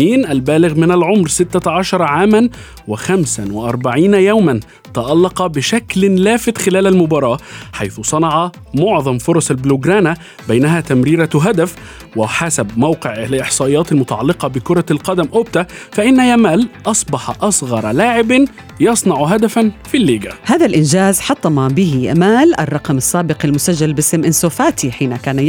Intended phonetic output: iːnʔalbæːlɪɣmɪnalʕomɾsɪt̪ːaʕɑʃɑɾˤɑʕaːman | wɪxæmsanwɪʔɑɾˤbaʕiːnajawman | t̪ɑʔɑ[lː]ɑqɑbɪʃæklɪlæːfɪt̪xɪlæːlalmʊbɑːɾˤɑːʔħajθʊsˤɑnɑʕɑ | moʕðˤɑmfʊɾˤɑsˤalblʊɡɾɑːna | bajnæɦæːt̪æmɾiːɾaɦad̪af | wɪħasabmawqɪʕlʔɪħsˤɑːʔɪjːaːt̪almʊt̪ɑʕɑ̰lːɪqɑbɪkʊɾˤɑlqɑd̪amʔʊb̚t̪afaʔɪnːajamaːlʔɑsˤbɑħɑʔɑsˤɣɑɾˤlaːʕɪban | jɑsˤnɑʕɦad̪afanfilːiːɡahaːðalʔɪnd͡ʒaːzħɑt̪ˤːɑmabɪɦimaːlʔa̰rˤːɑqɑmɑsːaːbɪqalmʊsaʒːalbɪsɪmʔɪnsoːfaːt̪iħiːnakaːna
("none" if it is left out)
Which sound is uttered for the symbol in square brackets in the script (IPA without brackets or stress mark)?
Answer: lː